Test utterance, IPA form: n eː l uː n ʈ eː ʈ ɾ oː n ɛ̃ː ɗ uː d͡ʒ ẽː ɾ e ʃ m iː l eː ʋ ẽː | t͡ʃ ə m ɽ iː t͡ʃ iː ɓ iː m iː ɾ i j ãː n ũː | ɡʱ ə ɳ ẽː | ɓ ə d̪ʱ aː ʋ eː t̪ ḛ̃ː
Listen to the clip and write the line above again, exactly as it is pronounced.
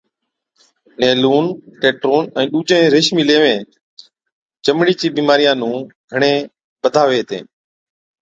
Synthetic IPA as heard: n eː l uː n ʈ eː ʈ ɾ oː n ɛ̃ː ɗ uː d͡ʒ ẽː ɾ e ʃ m iː l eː ʋ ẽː | t͡ʃ ə m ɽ iː t͡ʃ iː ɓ iː m aː ɾ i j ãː n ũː | ɡʱ ə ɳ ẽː | ɓ ə d̪ʱ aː ʋ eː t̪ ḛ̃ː